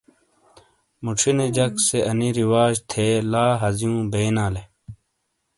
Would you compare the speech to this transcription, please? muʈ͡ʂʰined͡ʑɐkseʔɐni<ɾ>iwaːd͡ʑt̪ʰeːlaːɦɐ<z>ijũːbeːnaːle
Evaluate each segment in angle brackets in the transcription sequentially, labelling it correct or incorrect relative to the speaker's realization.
correct, correct

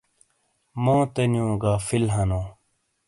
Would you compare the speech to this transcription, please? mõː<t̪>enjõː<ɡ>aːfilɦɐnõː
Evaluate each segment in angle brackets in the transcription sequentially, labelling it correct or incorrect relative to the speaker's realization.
correct, correct

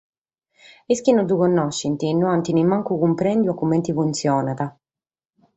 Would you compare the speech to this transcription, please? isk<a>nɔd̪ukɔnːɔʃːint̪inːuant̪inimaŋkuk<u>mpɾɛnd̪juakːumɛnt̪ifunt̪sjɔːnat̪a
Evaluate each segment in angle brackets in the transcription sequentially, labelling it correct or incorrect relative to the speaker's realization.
incorrect: i, correct

